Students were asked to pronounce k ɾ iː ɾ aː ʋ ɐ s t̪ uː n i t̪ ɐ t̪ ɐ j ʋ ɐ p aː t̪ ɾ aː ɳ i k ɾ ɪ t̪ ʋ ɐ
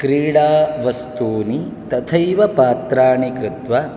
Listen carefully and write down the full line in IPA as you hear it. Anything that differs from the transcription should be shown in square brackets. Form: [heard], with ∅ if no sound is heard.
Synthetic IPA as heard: k ɾ iː [ɽ] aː ʋ ɐ s t̪ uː n i t̪ ɐ [t̪ʰ] ɐ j ʋ ɐ p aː t̪ ɾ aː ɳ i k ɾ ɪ t̪ ʋ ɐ